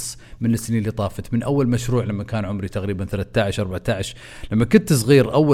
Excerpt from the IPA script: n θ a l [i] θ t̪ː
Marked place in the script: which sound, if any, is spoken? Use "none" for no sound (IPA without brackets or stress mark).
a